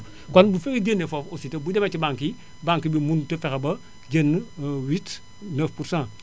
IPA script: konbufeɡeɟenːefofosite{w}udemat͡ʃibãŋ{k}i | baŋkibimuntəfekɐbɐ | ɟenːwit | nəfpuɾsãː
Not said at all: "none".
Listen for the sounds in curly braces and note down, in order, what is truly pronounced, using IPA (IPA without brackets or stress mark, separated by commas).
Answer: b, k